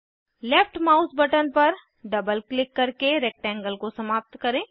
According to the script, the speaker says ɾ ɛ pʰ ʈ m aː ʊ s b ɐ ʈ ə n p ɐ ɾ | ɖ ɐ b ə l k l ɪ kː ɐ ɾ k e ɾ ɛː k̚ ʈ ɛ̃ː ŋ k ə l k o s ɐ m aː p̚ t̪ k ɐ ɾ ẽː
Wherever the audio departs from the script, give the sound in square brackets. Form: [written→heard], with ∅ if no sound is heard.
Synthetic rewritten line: [ɾ→l] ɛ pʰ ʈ m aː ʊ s b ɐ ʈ ə n p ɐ ɾ | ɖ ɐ b ə l k l ɪ kː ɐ ɾ k e ɾ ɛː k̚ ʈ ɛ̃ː ŋ [k→ɡ] ə l k o s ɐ m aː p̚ t̪ k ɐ ɾ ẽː

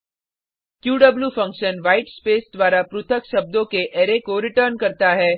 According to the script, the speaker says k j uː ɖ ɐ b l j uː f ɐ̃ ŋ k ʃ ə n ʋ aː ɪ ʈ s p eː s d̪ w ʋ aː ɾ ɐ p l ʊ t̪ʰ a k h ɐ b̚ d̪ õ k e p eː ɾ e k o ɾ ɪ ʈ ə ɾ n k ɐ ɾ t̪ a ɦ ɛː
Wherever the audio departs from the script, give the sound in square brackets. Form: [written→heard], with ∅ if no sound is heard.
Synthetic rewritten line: k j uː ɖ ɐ b l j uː f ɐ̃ ŋ k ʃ ə n ʋ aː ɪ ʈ s p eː s d̪ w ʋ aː ɾ [ɐ→a] p [l→ɾ] ʊ t̪ʰ [a→ə] k [h→ʃ] ɐ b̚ d̪ õ k e [p→ʔ] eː ɾ e k o ɾ ɪ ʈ ə ɾ n k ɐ ɾ t̪ a ɦ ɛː

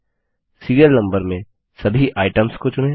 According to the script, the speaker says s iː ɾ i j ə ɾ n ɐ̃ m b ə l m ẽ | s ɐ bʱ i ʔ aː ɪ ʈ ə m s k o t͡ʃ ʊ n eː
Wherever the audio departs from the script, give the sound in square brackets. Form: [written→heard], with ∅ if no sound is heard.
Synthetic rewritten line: s iː ɾ i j ə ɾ n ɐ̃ m b ə [l→ɾ] m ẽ | s ɐ bʱ i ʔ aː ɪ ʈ ə m s k o t͡ʃ ʊ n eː

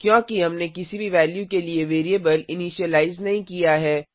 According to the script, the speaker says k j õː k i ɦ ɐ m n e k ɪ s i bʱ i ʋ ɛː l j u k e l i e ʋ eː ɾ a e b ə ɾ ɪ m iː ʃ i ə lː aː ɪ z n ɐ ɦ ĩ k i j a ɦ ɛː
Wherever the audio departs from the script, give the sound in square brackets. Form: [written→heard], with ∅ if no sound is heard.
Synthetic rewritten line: k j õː k i ɦ ɐ m n e k ɪ s i bʱ i ʋ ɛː l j u k e l i e ʋ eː ɾ [a→i] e b ə [ɾ→l] ɪ [m→n] iː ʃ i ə [lː→l] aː ɪ z n ɐ ɦ ĩ k i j a ɦ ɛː

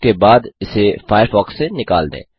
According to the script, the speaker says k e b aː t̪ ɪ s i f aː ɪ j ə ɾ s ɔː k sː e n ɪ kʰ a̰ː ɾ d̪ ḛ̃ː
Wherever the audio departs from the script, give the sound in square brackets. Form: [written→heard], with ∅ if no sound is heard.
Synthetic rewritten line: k e b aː [t̪→d̪] ɪ s [i→e] f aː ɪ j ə ɾ [s→f] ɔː k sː e n ɪ [kʰ→k] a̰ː [ɾ→l] d̪ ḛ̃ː

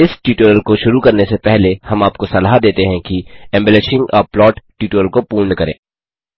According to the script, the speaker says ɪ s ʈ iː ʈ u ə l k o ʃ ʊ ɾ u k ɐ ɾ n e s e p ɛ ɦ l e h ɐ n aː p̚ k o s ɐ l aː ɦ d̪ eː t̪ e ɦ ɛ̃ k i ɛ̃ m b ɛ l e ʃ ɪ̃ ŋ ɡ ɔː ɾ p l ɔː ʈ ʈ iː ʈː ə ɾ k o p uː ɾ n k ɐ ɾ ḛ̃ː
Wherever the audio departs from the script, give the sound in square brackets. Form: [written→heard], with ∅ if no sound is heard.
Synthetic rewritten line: ɪ s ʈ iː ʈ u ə l k o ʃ ʊ ɾ u k ɐ ɾ n e s e p ɛ ɦ l e h ɐ [n→m] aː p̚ k o s ɐ l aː ɦ d̪ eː t̪ e ɦ ɛ̃ k i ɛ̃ m b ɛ l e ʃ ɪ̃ ŋ ɡ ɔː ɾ p l ɔː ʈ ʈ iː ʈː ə [ɾ→l] k o p uː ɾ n k ɐ ɾ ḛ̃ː

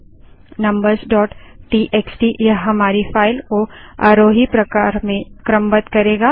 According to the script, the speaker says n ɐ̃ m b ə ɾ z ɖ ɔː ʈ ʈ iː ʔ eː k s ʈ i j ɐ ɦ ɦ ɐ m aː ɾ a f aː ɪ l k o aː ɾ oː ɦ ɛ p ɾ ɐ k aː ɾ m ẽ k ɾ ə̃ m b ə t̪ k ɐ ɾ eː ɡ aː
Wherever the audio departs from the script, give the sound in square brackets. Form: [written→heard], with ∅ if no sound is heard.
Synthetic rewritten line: n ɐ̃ m b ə ɾ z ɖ ɔː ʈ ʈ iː ʔ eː k s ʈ i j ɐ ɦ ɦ ɐ m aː ɾ [a→i] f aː ɪ l k o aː ɾ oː ɦ [ɛ→i] p ɾ ɐ k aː ɾ m ẽ k ɾ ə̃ m b ə t̪ k ɐ ɾ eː ɡ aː

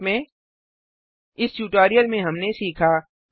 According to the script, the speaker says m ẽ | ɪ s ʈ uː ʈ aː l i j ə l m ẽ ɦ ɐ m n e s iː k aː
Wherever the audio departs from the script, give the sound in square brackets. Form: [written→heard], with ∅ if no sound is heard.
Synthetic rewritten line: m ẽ | ɪ s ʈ uː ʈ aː [l→ɾ] i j ə l m ẽ ɦ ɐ m n e s iː [k→kʰ] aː

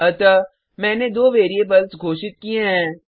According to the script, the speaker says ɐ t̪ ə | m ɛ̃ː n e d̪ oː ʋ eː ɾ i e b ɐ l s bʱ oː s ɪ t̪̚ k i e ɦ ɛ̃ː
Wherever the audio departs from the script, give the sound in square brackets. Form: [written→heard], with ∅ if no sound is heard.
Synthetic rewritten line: ɐ t̪ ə | m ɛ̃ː n e d̪ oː ʋ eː ɾ i e b ɐ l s [bʱ→ɡʱ] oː [s→ʃ] ɪ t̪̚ k i e ɦ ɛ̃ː

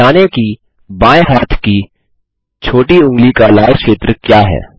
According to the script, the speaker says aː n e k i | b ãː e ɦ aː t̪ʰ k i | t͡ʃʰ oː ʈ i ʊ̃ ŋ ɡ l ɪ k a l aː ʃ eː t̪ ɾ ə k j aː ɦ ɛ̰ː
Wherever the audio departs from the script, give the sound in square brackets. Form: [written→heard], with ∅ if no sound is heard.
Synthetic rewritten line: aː n e k i | b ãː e ɦ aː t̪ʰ k i | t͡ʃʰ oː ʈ i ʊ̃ ŋ ɡ l [ɪ→i] k a l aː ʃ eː t̪ ɾ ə k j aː ɦ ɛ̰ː

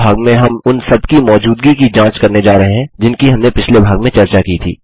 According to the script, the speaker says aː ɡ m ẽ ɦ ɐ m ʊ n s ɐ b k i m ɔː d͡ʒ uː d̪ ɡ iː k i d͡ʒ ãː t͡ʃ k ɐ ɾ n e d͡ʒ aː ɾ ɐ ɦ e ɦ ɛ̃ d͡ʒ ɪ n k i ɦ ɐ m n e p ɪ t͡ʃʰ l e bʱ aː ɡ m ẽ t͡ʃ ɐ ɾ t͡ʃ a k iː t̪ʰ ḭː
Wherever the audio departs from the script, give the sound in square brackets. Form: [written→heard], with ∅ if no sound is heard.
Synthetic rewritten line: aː ɡ m ẽ ɦ ɐ m ʊ n s ɐ b k i m ɔː d͡ʒ uː d̪ ɡ [iː→i] k i d͡ʒ ãː t͡ʃ k ɐ ɾ n e d͡ʒ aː ɾ ɐ ɦ e ɦ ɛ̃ d͡ʒ ɪ n k i ɦ ɐ m n e p ɪ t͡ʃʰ l e bʱ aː ɡ m ẽ t͡ʃ ɐ ɾ t͡ʃ a k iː t̪ʰ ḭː

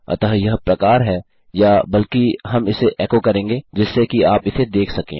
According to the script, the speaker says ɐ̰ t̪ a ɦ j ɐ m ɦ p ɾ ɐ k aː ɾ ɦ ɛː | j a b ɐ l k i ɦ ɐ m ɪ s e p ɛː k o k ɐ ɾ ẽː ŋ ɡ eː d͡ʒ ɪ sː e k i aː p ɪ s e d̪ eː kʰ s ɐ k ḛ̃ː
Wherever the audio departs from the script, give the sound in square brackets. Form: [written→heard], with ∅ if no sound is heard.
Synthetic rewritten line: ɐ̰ t̪ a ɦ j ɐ [m→∅] ɦ p ɾ ɐ k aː ɾ ɦ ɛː | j a b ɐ l k i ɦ ɐ m ɪ s e [p→ʔ] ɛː k o k ɐ ɾ ẽː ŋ ɡ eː d͡ʒ ɪ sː e k i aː p ɪ s e d̪ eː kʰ s ɐ k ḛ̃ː

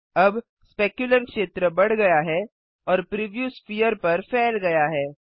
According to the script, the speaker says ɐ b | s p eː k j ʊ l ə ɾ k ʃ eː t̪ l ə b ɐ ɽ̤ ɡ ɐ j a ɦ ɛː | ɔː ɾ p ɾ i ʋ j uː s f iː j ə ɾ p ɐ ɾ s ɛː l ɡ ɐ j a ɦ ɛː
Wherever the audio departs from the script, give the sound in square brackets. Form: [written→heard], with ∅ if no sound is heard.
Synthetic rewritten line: ɐ b | s p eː k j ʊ l ə ɾ k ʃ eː t̪ [l→ɾ] ə b ɐ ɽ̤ ɡ ɐ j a ɦ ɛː | ɔː ɾ p ɾ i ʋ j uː s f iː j ə ɾ p ɐ ɾ [s→f] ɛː l ɡ ɐ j a ɦ ɛː

